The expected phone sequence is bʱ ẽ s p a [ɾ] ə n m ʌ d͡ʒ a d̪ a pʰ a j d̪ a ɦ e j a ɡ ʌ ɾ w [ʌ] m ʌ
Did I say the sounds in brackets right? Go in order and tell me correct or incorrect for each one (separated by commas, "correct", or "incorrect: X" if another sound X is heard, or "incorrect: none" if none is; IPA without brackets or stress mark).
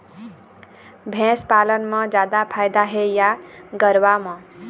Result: incorrect: l, incorrect: a